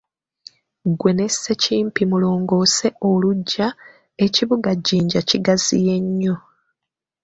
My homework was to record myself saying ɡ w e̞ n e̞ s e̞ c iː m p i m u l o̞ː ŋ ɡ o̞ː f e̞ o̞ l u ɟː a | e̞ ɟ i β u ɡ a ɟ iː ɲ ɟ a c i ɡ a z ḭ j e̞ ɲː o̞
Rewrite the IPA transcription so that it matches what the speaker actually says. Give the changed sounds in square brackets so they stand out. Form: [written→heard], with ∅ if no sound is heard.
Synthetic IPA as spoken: ɡ w e̞ n e̞ s e̞ c iː m p i m u l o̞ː ŋ ɡ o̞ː [f→s] e̞ o̞ l u ɟː a | e̞ [ɟ→c] i β u ɡ a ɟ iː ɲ ɟ a c i ɡ a z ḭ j e̞ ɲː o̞